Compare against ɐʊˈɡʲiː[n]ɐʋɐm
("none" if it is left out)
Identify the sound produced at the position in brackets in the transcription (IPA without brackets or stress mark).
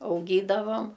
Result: d